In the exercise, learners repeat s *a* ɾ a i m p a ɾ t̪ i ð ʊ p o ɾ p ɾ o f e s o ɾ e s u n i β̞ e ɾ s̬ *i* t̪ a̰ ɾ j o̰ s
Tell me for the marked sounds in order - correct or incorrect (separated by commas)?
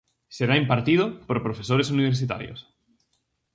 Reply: incorrect, correct